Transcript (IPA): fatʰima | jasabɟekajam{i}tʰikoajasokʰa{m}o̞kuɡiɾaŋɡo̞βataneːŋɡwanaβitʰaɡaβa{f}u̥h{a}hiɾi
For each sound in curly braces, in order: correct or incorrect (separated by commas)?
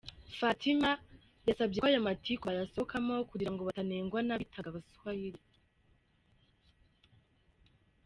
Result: incorrect, correct, incorrect, correct